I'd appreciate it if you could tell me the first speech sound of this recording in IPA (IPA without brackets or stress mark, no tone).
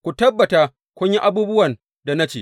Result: kʷ